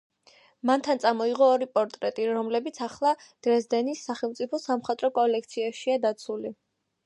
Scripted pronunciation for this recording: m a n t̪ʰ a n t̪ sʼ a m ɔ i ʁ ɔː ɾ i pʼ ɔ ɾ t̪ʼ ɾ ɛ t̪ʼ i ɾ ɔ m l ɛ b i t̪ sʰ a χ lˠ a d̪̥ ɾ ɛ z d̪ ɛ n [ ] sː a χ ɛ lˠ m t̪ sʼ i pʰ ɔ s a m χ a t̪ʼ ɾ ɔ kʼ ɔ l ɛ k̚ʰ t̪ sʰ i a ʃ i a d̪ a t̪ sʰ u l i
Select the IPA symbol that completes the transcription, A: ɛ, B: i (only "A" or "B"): B